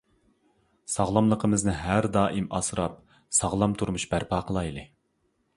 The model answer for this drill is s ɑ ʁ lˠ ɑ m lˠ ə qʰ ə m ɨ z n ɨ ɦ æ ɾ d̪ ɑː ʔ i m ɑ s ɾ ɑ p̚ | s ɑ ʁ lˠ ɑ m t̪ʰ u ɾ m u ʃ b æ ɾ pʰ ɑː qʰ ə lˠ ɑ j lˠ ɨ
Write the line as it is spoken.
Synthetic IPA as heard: s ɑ ʁ lˠ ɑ m lˠ ə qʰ ə m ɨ z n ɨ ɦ æ ɾ d̪ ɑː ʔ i m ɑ s ɾ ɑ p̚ | s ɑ ʁ lˠ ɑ m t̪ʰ u ɾ m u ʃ b æ ɾ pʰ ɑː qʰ ə lˠ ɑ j lˠ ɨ